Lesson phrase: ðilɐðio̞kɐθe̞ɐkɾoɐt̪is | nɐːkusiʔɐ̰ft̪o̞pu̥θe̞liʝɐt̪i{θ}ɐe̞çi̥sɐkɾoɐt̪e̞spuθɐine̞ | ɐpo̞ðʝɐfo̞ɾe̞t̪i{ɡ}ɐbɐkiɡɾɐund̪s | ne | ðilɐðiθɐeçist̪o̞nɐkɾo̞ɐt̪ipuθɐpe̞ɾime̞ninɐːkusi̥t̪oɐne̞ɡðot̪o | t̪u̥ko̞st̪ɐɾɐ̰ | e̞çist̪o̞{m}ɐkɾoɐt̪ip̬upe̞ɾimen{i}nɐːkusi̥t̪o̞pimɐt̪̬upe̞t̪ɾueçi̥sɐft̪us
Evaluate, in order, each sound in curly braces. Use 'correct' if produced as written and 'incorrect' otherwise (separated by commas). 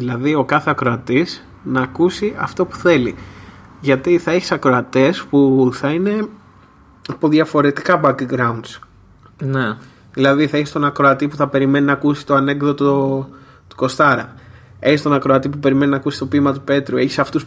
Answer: correct, incorrect, incorrect, correct